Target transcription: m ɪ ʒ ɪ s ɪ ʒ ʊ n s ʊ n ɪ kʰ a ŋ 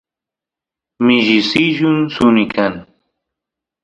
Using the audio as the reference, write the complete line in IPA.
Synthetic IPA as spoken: m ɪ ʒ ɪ s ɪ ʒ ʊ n s ʊ n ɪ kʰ a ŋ